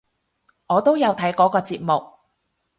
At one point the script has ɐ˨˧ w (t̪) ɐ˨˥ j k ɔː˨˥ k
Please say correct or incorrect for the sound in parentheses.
incorrect